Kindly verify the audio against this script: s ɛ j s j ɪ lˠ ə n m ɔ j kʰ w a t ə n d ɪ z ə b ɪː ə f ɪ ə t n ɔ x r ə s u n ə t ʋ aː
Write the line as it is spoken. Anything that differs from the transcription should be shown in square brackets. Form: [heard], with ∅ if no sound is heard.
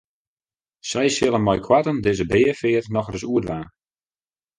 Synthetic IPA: s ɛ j s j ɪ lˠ ə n m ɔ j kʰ w a t ə n d ɪ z ə b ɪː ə f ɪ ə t n ɔ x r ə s u [∅] ə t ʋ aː